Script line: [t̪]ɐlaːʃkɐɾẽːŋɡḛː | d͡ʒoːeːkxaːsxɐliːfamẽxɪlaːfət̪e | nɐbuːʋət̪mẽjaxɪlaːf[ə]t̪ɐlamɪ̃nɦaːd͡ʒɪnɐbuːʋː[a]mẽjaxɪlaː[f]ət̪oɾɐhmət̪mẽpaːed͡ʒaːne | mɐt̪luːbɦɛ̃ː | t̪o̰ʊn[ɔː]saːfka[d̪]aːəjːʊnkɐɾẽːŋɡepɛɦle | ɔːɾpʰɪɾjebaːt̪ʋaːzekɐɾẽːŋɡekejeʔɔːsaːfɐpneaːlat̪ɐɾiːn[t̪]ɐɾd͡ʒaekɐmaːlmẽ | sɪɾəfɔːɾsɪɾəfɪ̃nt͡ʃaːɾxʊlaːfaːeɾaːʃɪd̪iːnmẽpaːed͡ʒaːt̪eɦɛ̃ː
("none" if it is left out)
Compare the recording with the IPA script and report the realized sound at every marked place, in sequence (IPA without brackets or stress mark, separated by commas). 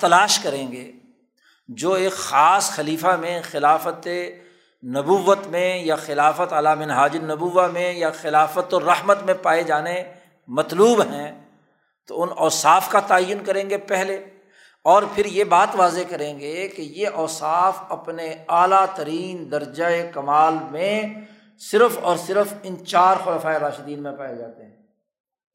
t̪, ə, a, f, ɔː, t̪, d̪